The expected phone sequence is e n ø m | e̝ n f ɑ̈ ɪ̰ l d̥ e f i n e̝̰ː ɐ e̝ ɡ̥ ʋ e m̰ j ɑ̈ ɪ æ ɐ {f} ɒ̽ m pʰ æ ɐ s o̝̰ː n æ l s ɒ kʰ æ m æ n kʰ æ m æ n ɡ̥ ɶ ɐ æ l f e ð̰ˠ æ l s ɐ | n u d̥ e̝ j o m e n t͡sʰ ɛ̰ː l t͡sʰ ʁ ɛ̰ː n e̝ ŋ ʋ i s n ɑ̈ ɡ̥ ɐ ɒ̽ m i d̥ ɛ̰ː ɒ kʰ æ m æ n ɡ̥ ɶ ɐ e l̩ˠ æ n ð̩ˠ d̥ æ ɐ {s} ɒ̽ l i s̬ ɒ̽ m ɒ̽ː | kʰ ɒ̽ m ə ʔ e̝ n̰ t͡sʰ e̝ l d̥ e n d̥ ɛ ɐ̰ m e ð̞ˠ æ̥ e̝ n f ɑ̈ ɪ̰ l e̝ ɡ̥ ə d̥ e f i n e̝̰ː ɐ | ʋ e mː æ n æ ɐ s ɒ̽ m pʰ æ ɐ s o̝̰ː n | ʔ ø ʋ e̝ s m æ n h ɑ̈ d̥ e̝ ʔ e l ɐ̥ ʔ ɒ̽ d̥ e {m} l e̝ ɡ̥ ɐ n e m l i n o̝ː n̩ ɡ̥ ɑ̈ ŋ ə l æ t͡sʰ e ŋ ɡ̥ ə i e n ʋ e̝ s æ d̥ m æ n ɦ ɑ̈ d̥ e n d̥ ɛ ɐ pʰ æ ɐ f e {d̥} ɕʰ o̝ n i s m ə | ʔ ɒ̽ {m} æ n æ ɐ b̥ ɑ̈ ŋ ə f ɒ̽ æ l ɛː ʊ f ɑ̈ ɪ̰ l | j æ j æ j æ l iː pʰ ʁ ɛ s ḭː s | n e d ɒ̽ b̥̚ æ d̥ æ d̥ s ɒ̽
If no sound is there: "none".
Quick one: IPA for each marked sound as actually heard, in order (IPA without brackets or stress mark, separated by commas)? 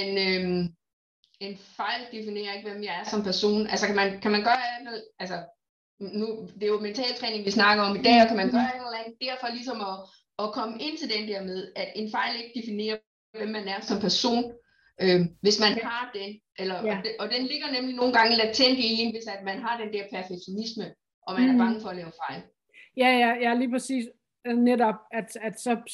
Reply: s, f, n, ɡ̥, m